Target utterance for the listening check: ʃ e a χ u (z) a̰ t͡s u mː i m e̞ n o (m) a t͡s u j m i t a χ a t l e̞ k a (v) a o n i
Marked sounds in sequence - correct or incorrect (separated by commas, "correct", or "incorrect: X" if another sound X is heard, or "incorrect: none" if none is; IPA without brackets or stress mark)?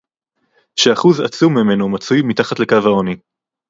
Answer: correct, correct, correct